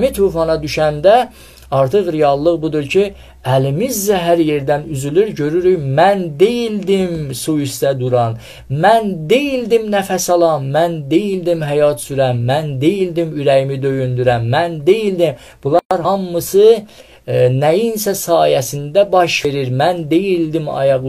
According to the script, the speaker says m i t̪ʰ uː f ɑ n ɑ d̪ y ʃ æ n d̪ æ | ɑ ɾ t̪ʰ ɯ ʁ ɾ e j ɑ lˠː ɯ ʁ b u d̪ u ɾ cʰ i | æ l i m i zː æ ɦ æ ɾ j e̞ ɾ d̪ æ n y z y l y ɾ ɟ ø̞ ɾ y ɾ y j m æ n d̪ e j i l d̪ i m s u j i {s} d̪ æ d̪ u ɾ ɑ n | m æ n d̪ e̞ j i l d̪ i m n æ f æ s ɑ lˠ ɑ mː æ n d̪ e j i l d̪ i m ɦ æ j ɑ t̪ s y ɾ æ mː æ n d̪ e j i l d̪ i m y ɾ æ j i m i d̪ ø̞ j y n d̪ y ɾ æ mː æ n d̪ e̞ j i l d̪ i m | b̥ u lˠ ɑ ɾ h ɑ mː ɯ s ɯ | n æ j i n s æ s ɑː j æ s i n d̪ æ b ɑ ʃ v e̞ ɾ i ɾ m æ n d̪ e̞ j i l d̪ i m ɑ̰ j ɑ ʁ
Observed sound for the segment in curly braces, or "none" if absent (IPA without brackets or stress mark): s